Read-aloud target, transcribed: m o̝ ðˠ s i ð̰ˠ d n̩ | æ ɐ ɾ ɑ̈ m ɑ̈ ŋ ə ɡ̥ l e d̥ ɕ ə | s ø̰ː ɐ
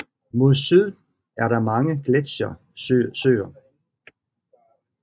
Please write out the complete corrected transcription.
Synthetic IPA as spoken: m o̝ ðˠ s y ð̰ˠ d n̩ | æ ɐ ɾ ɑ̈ m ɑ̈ ŋ ə ɡ̥ l e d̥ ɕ ɐ | s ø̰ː ɐ